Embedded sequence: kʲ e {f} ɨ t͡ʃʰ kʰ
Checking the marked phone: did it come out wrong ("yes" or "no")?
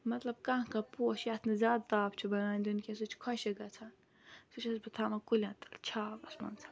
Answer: yes